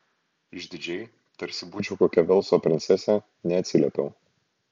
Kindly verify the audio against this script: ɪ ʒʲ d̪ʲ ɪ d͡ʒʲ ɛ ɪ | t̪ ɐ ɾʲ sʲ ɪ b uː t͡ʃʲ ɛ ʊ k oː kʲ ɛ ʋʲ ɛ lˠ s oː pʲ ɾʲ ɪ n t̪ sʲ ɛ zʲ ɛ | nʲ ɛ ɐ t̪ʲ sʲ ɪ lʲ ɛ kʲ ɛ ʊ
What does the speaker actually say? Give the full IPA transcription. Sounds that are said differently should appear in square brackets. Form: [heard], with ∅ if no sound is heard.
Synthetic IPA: ɪ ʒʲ d̪ʲ ɪ d͡ʒʲ ɛ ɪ | t̪ ɐ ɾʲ sʲ ɪ b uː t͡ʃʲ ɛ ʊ k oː kʲ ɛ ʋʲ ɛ lˠ s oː pʲ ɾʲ ɪ n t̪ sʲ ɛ [sʲ] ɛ | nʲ ɛ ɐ t̪ʲ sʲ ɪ lʲ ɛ [pʲ] ɛ ʊ